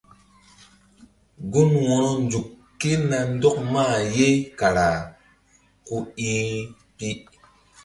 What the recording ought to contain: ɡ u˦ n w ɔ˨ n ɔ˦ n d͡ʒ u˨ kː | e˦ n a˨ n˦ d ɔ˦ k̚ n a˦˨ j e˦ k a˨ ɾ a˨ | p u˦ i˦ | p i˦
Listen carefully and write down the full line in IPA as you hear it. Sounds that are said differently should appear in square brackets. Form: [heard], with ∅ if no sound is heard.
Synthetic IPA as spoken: ɡ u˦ n w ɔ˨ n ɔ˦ n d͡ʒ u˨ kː | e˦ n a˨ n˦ d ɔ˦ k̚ [m] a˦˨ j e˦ k a˨ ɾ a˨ | [k] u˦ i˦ | p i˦